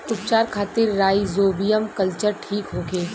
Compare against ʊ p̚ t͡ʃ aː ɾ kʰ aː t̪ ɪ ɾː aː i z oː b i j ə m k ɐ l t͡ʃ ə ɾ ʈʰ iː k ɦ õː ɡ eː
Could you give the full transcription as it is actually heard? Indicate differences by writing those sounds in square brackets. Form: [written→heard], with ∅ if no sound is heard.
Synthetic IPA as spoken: ʊ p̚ t͡ʃ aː ɾ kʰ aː t̪ ɪ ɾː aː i z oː b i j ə m k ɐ l t͡ʃ ə ɾ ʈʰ iː k ɦ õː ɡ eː